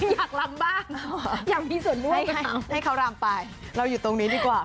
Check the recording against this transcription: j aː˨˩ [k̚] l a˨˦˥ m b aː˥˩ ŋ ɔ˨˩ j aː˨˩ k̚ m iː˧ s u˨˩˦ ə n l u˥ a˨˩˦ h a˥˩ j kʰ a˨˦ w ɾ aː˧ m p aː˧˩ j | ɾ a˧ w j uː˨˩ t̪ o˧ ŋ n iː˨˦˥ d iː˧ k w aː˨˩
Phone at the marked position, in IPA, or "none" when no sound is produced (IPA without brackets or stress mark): k̚